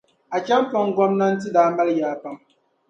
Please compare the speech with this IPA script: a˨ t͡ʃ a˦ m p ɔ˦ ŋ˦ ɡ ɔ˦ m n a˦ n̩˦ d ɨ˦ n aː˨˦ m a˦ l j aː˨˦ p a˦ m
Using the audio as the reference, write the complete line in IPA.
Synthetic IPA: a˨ t͡ʃ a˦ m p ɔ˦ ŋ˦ ɡ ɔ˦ m n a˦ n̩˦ t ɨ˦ d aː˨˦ m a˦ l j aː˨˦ p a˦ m